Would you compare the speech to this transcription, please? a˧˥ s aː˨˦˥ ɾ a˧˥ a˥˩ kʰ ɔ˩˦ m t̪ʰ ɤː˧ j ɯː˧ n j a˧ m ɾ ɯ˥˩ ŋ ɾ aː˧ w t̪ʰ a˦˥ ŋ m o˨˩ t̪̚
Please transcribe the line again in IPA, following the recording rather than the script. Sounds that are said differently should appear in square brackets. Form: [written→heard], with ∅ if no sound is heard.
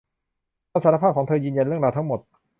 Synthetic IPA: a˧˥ s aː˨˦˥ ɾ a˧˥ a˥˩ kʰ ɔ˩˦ [m→ŋ] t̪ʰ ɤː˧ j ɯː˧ n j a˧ [m→n] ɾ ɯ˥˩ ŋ ɾ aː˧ w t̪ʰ a˦˥ ŋ m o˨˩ t̪̚